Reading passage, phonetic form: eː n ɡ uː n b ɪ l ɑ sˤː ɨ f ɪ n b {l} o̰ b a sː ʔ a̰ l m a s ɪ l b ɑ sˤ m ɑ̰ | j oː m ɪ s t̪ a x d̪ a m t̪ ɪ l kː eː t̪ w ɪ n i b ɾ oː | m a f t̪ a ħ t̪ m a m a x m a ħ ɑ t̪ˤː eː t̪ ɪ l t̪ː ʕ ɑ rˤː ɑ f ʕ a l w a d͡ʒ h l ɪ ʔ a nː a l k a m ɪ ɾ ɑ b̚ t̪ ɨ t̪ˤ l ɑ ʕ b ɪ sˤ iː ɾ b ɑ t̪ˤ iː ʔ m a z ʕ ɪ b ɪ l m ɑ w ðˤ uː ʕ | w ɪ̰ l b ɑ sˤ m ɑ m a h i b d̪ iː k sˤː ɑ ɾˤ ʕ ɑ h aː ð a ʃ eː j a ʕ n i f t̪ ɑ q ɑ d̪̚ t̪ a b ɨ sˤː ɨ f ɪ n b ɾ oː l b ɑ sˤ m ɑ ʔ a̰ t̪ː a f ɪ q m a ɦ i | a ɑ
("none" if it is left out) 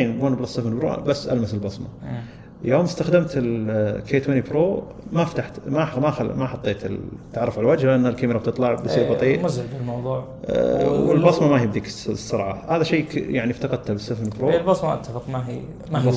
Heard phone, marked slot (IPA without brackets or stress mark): ɾ